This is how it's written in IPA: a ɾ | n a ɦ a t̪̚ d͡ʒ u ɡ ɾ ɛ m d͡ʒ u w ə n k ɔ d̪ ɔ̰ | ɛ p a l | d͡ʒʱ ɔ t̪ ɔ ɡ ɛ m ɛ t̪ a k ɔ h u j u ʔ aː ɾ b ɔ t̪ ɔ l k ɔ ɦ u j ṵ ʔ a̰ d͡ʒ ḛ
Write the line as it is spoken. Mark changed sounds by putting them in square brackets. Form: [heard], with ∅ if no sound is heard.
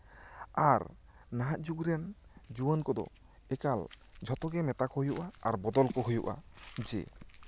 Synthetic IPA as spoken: a ɾ | n a ɦ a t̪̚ d͡ʒ u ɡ ɾ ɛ [n] d͡ʒ u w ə n k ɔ d̪ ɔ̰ | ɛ [k] a l | d͡ʒʱ ɔ t̪ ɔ ɡ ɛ m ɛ t̪ a k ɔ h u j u ʔ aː ɾ b ɔ [d̪] ɔ l k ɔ ɦ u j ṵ ʔ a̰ d͡ʒ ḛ